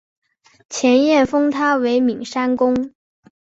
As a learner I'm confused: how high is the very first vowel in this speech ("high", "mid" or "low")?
mid